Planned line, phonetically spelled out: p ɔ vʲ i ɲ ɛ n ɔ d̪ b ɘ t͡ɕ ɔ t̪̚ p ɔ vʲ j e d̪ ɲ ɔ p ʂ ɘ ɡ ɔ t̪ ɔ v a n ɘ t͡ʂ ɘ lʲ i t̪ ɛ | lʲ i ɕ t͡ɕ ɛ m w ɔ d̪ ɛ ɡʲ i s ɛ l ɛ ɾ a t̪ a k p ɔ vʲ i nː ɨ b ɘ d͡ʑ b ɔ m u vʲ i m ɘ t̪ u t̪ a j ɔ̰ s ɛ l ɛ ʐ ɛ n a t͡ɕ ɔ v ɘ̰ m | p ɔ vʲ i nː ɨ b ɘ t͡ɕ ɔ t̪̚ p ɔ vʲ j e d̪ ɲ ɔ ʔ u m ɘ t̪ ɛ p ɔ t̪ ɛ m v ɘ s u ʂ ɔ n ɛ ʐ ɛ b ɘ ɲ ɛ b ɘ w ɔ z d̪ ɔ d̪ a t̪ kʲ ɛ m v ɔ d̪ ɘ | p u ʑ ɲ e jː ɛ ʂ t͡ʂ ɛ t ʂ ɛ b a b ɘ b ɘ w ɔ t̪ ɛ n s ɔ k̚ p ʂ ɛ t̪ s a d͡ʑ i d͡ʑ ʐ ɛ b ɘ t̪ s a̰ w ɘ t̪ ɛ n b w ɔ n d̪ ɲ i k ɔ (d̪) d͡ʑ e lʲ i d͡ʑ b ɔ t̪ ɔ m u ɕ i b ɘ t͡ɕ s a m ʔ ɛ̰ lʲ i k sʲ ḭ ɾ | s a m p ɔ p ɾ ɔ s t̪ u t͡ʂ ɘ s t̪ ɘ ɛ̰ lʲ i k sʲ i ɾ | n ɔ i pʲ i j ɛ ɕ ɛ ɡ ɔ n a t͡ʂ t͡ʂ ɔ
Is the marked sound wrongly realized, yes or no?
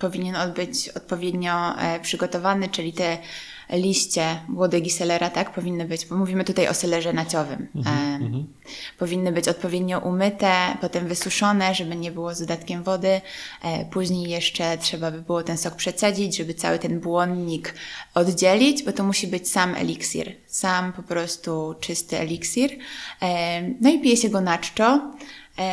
no